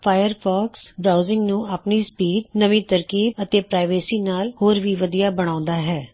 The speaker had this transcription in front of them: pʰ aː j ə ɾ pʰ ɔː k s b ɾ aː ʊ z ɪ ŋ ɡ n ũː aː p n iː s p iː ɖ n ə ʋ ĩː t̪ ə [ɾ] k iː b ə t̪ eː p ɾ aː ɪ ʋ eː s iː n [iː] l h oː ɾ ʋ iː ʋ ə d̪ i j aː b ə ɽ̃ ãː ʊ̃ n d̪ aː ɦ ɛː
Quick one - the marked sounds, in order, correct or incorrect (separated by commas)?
correct, incorrect